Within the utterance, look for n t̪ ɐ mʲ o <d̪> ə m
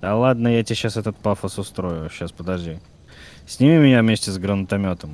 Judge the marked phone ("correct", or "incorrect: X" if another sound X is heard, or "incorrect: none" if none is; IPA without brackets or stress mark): incorrect: t̪